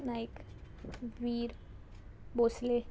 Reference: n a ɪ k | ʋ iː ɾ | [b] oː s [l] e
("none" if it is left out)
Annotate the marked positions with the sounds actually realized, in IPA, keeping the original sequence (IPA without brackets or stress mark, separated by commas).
b, l